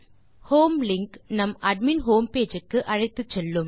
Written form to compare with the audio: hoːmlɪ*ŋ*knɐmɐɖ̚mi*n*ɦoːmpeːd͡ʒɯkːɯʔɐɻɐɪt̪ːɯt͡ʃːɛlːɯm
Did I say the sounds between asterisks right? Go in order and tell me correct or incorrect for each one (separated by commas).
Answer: correct, correct